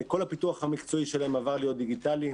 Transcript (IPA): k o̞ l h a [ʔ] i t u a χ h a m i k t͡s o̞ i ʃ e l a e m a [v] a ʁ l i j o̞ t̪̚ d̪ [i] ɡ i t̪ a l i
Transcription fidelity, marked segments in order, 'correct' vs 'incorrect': incorrect: p, correct, correct

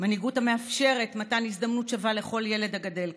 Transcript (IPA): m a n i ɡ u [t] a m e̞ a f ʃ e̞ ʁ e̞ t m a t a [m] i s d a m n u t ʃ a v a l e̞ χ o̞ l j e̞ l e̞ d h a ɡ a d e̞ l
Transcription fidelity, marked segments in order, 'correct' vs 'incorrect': correct, incorrect: n

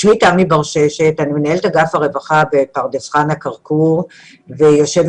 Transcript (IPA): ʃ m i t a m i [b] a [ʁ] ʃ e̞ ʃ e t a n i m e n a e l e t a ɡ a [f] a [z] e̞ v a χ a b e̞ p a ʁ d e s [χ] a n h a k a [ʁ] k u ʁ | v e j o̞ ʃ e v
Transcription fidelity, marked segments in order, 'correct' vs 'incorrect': correct, correct, correct, incorrect: ʁ, correct, correct

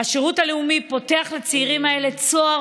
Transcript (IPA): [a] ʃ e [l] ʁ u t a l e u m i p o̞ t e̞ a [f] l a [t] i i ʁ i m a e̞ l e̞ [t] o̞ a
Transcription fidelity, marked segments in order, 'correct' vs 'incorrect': correct, incorrect: none, incorrect: χ, incorrect: t͡s, incorrect: t͡s

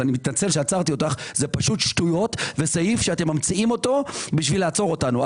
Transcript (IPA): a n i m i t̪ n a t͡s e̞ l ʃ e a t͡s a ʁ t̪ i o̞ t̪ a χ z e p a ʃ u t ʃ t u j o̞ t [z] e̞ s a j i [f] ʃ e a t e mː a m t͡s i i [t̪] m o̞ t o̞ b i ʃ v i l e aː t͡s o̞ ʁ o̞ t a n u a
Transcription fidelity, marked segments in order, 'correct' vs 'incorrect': incorrect: v, correct, incorrect: none

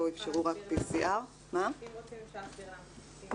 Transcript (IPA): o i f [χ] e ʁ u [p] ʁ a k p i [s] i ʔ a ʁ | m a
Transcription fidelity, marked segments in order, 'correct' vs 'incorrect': incorrect: ʃ, incorrect: none, correct

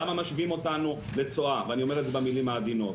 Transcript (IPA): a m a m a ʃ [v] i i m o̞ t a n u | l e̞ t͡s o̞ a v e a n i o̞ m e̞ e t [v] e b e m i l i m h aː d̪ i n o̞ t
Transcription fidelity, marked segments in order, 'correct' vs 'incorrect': correct, incorrect: z

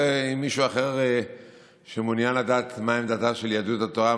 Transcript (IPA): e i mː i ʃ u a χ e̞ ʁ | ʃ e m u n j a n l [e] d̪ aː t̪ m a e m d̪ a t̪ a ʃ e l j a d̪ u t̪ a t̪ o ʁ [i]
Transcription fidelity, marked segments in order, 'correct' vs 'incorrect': incorrect: a, incorrect: a

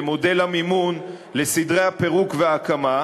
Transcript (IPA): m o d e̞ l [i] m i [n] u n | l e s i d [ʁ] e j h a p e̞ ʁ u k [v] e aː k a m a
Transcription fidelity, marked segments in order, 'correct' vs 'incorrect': incorrect: a, incorrect: m, correct, correct

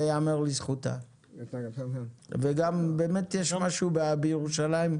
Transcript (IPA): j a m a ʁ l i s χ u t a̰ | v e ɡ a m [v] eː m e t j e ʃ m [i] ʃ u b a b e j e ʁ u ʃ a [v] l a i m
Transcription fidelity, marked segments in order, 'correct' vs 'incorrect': incorrect: b, incorrect: a, incorrect: none

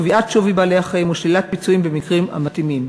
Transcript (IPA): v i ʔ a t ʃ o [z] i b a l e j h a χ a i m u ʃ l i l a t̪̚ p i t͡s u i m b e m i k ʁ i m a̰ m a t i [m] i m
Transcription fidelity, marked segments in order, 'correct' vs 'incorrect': incorrect: v, correct

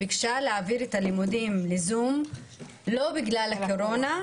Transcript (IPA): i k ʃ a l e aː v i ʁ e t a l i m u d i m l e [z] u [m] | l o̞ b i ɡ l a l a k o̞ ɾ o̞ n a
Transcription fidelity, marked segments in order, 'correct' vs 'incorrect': correct, correct

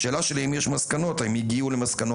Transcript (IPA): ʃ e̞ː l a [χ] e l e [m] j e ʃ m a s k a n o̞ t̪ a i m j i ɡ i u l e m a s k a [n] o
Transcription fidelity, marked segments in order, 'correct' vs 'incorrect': incorrect: ʃ, correct, correct

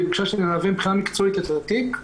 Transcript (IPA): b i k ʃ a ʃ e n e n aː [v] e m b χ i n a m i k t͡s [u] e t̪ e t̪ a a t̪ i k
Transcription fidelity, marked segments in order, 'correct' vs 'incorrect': correct, incorrect: o

